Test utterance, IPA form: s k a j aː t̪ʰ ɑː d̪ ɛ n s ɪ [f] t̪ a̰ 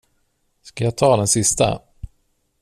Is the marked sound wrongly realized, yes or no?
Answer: yes